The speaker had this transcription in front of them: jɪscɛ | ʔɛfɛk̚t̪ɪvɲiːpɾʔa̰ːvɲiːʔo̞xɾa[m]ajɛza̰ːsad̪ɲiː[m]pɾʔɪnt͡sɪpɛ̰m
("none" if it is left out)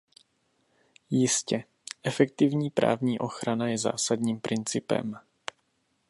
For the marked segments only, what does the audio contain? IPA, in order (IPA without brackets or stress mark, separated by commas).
n, m